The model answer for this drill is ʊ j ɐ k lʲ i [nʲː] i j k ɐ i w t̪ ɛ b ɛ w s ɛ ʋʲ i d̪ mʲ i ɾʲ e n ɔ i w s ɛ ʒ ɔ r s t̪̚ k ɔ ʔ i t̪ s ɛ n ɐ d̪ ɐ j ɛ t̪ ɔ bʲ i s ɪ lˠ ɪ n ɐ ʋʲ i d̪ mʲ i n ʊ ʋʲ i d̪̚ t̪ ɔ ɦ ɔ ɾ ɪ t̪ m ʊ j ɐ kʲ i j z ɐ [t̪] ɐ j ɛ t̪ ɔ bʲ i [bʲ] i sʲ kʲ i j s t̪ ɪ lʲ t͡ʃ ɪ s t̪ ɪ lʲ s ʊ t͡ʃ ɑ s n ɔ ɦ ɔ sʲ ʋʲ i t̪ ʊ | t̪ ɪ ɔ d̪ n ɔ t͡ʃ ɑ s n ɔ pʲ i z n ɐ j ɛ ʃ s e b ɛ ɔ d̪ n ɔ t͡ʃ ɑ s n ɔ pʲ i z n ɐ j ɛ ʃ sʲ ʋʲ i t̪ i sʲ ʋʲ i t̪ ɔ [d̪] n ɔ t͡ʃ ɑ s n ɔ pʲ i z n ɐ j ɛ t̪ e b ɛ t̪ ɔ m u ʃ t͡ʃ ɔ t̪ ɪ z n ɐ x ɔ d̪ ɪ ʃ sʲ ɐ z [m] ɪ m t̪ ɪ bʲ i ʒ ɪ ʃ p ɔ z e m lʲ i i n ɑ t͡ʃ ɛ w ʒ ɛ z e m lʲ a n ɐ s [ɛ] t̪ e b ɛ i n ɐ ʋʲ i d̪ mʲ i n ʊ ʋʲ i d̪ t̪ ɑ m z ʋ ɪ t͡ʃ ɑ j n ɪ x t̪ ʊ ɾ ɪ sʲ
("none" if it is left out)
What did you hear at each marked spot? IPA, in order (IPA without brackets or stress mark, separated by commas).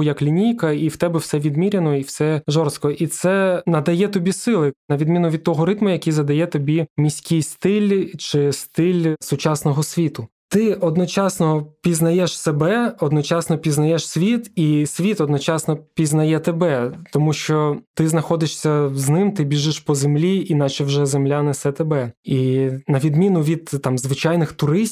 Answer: nʲ, d̪, mʲ, d̪, n, ɛ